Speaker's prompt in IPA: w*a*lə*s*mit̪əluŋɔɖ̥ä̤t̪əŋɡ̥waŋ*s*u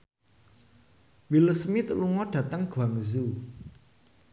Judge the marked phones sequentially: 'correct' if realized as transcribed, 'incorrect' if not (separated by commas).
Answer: incorrect, correct, incorrect